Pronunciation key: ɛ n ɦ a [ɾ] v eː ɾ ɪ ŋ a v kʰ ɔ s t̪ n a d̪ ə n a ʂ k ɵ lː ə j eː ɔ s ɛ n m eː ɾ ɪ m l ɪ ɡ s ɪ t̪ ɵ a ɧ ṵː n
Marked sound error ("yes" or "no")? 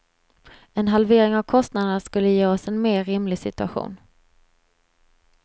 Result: yes